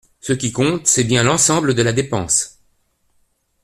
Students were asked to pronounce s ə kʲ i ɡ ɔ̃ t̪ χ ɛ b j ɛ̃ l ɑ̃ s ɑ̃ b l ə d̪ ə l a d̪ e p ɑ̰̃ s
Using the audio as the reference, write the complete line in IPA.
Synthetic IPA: s ə kʲ i k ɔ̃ t̪ s ɛ b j ɛ̃ l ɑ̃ s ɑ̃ b l ə d̪ ə l a d̪ e p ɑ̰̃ s